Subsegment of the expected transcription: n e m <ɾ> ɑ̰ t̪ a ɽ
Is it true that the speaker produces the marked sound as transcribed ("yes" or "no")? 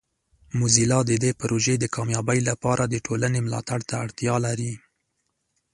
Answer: no